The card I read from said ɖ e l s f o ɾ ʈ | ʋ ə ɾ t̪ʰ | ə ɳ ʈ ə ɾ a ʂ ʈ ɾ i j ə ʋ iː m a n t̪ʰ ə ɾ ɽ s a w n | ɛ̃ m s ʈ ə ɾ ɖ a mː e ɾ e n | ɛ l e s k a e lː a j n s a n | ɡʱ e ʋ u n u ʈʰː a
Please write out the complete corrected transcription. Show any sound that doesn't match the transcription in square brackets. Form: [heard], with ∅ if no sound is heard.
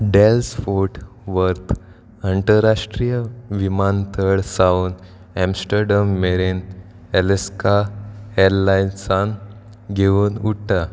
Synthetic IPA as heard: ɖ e l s f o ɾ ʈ | ʋ ə ɾ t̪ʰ | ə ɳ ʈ ə ɾ a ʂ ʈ ɾ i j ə ʋ [i] m a n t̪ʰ ə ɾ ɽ s a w n | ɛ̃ m s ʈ ə ɾ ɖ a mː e ɾ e n | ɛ l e s k a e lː a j n s a n | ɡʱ e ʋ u n u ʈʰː a